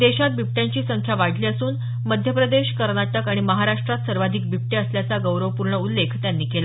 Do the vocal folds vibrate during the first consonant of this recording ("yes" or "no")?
yes